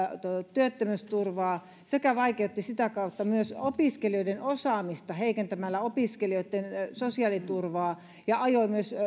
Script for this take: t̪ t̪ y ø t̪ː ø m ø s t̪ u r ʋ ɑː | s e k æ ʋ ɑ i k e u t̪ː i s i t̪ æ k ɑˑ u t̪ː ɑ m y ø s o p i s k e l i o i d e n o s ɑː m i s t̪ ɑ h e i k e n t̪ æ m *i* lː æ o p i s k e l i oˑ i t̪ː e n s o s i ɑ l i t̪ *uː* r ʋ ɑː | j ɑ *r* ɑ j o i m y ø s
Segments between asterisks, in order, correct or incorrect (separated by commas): incorrect, incorrect, incorrect